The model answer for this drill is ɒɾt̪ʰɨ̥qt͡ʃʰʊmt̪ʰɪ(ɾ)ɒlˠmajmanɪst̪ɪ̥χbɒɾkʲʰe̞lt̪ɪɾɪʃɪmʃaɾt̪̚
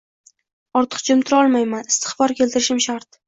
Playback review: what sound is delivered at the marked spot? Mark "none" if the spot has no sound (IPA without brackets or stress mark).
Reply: ɾ